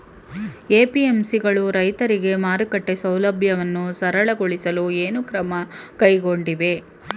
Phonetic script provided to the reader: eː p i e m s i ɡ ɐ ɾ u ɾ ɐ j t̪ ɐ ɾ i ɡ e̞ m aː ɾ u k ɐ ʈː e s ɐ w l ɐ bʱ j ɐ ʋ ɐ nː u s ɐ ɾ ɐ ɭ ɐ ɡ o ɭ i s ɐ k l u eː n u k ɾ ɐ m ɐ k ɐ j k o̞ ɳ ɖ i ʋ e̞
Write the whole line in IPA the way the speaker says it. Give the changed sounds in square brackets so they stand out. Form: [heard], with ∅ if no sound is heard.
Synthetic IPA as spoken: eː p i e m s i ɡ ɐ [ɭ] u ɾ ɐ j t̪ ɐ ɾ i ɡ e̞ m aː ɾ u k ɐ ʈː e s ɐ w l ɐ bʱ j ɐ ʋ ɐ nː u s ɐ ɾ ɐ ɭ ɐ ɡ o ɭ i s ɐ [∅] l u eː n u k ɾ ɐ m ɐ k ɐ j [ɡ] o̞ ɳ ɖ i ʋ e̞